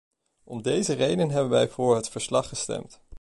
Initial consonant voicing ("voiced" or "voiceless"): voiced